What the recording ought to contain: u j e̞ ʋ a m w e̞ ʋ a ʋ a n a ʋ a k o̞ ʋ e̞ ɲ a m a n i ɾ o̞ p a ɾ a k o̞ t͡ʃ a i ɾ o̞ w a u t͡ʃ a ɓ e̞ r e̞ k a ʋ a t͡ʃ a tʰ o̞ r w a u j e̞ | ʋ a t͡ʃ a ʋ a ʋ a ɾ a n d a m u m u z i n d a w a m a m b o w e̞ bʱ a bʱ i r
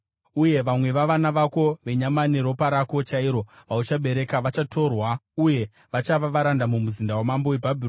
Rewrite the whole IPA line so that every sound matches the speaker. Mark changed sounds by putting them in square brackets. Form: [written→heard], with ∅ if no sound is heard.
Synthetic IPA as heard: u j e̞ ʋ a m w e̞ ʋ a ʋ a n a ʋ a k o̞ ʋ e̞ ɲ a m a n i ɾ o̞ p a ɾ a k o̞ t͡ʃ a i ɾ o̞ [w→ʋ] a u t͡ʃ a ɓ e̞ [r→ɾ] e̞ k a ʋ a t͡ʃ a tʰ o̞ r w a u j e̞ | ʋ a t͡ʃ a ʋ a ʋ a ɾ a n d a m u m u z i n d a w a m a m b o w e̞ bʱ a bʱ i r

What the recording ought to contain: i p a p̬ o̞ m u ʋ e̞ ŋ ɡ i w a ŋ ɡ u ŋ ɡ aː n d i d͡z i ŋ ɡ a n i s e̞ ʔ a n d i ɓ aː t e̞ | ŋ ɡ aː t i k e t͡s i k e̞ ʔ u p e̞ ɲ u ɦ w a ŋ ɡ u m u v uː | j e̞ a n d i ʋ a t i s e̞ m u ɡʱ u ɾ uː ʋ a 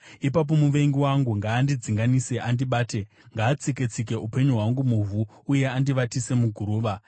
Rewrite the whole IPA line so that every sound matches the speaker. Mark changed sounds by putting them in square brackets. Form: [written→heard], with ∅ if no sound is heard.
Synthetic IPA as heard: i p a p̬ o̞ m u ʋ e̞ ŋ ɡ i w a ŋ ɡ u ŋ ɡ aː n d i d͡z i ŋ ɡ a n i s e̞ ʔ a n d i ɓ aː t e̞ | ŋ ɡ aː [t→t͡s] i k e t͡s i k e̞ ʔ u p e̞ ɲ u ɦ w a ŋ ɡ u m u v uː | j e̞ a n d i ʋ a t i s e̞ m u ɡʱ u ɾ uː ʋ a

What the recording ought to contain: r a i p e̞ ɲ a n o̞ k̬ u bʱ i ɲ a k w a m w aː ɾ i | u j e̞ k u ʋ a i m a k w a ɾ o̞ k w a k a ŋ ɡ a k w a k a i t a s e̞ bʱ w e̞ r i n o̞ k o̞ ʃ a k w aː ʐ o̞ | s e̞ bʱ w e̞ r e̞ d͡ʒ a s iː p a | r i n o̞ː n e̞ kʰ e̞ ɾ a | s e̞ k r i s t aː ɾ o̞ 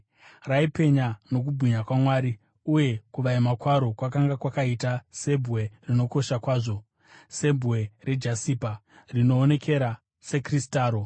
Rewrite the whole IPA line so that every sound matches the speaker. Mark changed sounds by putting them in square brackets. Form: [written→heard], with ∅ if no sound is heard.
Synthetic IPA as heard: r a i p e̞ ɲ a n o̞ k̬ u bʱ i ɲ a k w a m w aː ɾ i | u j e̞ k u ʋ a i m a k w a ɾ o̞ k w a k a ŋ ɡ a k w a k a i t a s e̞ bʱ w e̞ r i n o̞ k o̞ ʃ a k w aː ʐ o̞ | s e̞ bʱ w e̞ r e̞ d͡ʒ a s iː p a | r i n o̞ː n e̞ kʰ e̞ ɾ a | s e̞ k r i s t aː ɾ o̞

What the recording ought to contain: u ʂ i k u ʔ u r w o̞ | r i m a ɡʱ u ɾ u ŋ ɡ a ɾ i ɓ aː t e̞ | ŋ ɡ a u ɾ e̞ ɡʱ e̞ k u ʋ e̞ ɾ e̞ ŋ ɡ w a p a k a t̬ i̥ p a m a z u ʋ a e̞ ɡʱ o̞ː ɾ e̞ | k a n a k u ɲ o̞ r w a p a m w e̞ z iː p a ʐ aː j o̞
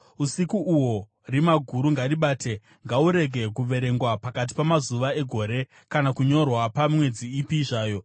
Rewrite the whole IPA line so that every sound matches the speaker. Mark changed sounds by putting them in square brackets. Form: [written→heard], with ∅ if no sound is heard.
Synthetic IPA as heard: u [ʂ→s] i k u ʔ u [r→∅] w o̞ | r i m a ɡʱ u ɾ u ŋ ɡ a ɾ i ɓ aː t e̞ | ŋ ɡ a u ɾ e̞ ɡʱ e̞ k u ʋ e̞ ɾ e̞ ŋ ɡ w a p a k a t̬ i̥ p a m a z u ʋ a e̞ ɡʱ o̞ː ɾ e̞ | k a n a k u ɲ o̞ r w a p a m w e̞ [z→d͡z] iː p [a→i] ʐ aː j o̞

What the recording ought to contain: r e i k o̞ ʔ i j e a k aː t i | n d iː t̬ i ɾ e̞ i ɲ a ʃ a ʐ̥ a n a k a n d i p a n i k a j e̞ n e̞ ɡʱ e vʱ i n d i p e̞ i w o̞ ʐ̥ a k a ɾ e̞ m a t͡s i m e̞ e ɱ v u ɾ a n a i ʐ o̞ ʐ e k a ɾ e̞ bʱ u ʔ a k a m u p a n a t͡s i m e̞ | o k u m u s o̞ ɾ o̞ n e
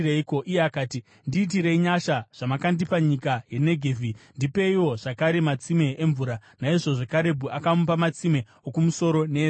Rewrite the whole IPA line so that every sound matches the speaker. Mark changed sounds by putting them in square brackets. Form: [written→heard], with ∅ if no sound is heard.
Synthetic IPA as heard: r e i k o̞ ʔ i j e a k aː t i | n d iː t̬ i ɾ e̞ i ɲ a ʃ a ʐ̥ a [n→m] a k a n d i p a [n→ɲ] i k a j e̞ n e̞ ɡʱ e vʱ i n d i p e̞ i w o̞ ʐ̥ a k a ɾ e̞ m a t͡s i m e̞ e ɱ v u ɾ a n a i ʐ o̞ ʐ e k a ɾ e̞ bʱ u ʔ a k a m u p a [n→m] a t͡s i m e̞ | o k u m u s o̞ ɾ o̞ n e

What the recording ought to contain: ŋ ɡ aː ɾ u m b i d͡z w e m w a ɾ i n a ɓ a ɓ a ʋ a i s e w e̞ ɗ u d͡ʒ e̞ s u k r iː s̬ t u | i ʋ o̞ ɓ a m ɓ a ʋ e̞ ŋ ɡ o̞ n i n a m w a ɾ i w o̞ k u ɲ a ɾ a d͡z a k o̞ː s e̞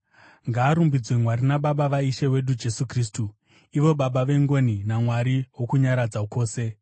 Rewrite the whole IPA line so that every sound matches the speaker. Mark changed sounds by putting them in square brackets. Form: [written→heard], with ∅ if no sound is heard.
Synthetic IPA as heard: ŋ ɡ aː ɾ u m b i d͡z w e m w a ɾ i n a ɓ a ɓ a ʋ a i [s→ʃ] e w e̞ ɗ u d͡ʒ e̞ s u k r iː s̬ t u | i ʋ o̞ ɓ a [m→∅] ɓ a ʋ e̞ ŋ ɡ o̞ n i n a m w a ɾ i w o̞ k u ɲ a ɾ a d͡z a k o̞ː s e̞

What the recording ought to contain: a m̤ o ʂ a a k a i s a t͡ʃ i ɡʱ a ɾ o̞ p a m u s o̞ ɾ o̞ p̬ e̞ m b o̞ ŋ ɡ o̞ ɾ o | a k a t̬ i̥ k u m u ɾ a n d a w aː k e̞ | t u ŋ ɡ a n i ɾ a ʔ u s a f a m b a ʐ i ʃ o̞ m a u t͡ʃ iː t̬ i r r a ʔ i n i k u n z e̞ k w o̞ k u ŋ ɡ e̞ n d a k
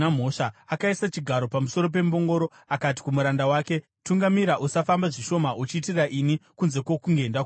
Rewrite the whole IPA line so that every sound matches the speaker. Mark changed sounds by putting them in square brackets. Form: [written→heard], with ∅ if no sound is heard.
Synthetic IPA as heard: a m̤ o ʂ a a k a i s a t͡ʃ i ɡʱ a ɾ o̞ p a m u s o̞ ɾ o̞ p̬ e̞ m b o̞ ŋ ɡ o̞ ɾ o | a k a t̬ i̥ k u m u ɾ a n d a w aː k e̞ | t u ŋ ɡ a [n→m] i ɾ a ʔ u s a f a m b a ʐ i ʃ o̞ m a u t͡ʃ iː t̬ i r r a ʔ i n i k u n z e̞ k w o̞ k u ŋ ɡ e̞ n d a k

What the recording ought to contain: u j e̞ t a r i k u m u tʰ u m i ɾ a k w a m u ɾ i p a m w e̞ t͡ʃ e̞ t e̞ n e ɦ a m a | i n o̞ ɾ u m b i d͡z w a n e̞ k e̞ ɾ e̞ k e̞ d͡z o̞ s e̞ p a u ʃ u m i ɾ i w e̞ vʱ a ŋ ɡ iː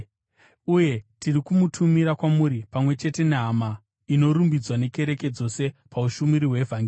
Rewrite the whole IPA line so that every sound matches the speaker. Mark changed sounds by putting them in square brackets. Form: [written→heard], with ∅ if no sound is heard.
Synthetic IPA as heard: u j e̞ t [a→i] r i k u m u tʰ u m i ɾ a k w a m u ɾ i p a m w e̞ t͡ʃ e̞ t e̞ n e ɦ a m a | i n o̞ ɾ u m b i d͡z w a n e̞ k e̞ ɾ e̞ k e̞ d͡z o̞ s e̞ p a u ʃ u m i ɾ i w e̞ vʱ a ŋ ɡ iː

